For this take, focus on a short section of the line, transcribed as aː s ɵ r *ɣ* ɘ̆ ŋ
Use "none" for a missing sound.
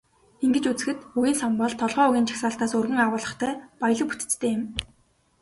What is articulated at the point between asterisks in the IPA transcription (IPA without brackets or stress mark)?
ɣ